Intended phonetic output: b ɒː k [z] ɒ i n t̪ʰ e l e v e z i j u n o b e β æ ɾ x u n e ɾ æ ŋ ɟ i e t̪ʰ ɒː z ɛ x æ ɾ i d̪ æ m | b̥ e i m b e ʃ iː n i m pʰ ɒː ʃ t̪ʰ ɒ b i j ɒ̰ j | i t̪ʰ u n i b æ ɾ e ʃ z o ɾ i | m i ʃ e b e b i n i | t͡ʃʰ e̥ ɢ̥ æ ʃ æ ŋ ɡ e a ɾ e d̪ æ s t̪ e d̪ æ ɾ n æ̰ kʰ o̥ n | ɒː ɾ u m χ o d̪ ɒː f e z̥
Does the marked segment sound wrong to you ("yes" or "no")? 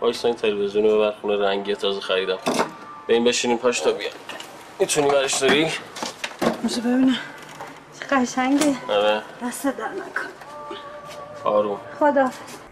yes